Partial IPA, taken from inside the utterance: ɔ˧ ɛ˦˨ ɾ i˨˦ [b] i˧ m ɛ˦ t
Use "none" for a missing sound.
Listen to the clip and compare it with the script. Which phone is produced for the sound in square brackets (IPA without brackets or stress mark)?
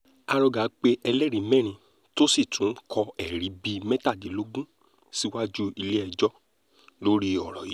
b